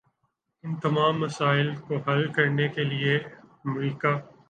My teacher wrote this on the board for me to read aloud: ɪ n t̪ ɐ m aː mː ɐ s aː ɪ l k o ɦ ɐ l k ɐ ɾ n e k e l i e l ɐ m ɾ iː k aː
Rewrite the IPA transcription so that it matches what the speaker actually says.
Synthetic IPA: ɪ n t̪ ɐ m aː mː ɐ s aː ɪ l k o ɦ ɐ l k ɐ ɾ n e k e l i e ɐ m ɾ iː k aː